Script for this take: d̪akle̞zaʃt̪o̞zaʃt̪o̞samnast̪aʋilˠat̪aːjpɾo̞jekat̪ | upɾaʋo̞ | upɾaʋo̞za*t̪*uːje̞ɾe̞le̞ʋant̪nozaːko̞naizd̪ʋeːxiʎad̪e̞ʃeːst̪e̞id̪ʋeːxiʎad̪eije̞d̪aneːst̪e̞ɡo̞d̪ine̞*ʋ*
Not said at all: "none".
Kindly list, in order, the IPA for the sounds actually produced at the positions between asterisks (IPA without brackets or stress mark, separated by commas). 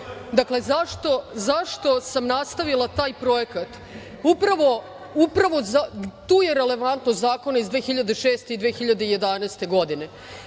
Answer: t̪, none